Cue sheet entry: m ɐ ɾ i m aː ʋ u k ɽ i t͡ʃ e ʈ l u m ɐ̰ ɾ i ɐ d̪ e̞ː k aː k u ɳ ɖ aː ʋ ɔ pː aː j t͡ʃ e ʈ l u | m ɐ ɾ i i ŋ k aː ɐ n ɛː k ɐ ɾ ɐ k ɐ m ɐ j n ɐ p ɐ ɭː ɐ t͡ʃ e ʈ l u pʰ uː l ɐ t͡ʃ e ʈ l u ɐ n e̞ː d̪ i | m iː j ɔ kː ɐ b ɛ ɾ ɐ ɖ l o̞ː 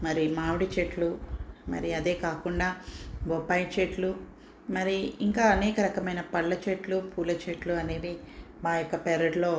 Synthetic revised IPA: m ɐ ɾ i m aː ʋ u ɽ i t͡ʃ e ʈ l u m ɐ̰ ɾ i ɐ d̪ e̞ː k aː k u ɳ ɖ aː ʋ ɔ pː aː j t͡ʃ e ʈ l u | m ɐ ɾ i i ŋ k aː ɐ n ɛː k ɐ ɾ ɐ k ɐ m ɐ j n ɐ p ɐ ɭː ɐ t͡ʃ e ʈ l u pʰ uː l ɐ t͡ʃ e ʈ l u ɐ n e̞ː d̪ i | m aː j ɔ kː ɐ p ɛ ɾ ɐ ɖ l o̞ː